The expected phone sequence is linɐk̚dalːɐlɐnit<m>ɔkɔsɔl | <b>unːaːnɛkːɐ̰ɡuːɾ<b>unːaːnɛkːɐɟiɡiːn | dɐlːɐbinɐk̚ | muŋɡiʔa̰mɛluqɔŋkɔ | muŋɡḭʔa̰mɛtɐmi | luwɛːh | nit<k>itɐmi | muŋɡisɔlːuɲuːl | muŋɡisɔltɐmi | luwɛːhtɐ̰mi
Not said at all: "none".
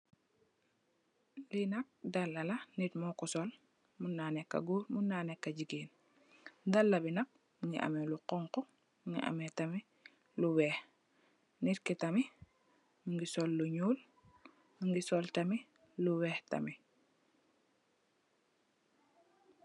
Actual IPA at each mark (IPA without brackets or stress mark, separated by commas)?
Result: m, m, m, k